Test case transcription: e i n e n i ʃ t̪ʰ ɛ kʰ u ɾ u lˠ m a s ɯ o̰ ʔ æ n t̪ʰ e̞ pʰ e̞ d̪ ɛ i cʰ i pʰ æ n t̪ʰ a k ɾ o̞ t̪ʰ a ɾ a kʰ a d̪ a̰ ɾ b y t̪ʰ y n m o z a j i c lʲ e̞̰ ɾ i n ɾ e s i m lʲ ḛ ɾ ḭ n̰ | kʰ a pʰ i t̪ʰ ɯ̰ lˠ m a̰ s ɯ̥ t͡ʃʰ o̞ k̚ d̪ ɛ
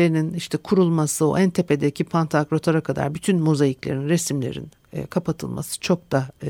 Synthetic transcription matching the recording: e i n i n i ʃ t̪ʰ ɛ kʰ u ɾ u lˠ m a s ɯ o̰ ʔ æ n t̪ʰ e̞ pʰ e̞ d̪ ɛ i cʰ i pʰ a n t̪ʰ a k ɾ o̞ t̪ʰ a ɾ a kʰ a d̪ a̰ ɾ b y t̪ʰ y n m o z a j i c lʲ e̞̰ ɾ i n ɾ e s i m lʲ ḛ ɾ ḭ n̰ | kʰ a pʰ a t̪ʰ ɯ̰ lˠ m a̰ s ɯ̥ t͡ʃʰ o̞ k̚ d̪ a